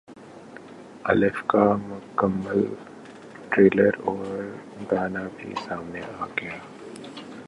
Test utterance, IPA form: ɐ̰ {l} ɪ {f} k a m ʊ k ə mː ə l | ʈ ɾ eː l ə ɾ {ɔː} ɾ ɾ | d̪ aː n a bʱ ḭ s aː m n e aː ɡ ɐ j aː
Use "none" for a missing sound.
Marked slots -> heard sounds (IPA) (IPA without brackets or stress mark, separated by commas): l, f, ɔː